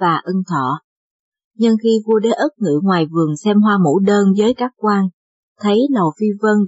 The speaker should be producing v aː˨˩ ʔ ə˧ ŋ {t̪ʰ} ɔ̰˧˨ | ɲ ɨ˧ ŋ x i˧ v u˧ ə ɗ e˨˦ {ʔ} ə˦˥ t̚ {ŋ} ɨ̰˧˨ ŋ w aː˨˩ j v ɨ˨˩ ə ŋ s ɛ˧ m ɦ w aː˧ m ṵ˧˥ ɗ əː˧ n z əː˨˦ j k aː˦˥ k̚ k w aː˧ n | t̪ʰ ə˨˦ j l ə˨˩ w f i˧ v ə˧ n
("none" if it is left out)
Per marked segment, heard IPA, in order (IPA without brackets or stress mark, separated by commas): t̪ʰ, ʔ, ŋ